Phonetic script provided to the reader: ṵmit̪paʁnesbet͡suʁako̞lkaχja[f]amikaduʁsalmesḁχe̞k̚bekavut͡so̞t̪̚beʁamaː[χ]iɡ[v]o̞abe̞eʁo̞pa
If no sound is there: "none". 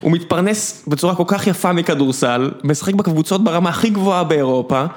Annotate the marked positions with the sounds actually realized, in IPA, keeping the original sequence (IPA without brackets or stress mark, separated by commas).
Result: f, χ, v